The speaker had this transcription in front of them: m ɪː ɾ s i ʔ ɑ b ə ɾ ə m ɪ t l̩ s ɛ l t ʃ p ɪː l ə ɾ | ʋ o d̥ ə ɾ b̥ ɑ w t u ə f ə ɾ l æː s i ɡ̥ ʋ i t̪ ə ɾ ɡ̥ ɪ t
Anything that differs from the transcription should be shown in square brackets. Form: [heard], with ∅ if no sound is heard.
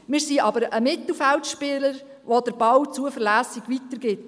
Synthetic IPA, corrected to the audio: m ɪː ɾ s i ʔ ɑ b ə ɾ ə m ɪ t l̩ [f] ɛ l t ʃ p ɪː l ə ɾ | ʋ o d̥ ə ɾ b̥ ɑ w [t͡s] u ə f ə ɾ l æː s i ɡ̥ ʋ i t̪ ə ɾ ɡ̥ ɪ t